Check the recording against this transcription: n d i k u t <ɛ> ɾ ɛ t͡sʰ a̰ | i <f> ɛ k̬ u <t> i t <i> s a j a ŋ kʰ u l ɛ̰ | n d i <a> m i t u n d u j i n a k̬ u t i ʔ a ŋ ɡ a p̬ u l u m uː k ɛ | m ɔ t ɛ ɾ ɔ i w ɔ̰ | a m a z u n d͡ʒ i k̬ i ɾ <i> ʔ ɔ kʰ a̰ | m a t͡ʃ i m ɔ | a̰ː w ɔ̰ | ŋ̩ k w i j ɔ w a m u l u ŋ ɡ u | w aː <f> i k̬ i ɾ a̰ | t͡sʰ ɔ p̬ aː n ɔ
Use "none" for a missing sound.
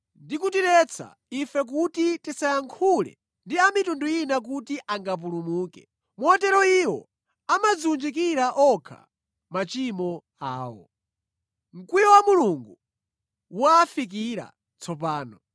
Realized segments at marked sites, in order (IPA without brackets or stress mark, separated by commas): i, f, t, i, a, a, f